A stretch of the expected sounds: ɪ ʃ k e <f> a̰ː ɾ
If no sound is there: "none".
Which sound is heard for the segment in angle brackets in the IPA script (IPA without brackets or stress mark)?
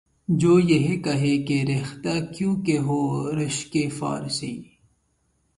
f